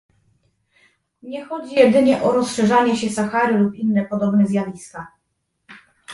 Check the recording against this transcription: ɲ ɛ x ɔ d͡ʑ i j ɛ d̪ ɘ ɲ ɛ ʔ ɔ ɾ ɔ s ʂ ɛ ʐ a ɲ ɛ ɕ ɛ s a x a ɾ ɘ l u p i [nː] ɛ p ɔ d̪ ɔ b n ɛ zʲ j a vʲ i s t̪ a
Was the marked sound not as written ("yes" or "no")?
no